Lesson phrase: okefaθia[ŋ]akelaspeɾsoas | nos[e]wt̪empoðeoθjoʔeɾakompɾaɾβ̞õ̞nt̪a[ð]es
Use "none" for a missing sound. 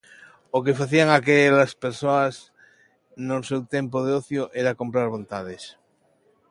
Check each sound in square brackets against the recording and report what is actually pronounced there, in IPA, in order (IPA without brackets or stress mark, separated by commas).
ŋ, e, ð